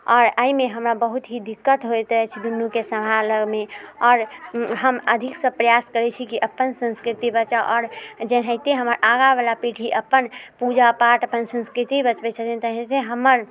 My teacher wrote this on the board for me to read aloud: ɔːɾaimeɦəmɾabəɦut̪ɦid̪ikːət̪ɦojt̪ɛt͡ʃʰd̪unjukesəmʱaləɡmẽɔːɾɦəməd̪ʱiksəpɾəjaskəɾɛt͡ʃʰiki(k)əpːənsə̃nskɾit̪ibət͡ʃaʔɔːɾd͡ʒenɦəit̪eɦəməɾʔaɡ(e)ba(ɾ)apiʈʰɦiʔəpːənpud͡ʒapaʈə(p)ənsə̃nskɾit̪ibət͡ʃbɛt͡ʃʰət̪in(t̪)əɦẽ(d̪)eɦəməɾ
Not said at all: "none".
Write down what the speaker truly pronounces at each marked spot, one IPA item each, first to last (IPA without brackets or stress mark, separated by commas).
ʔ, a, l, p, t̪, t̪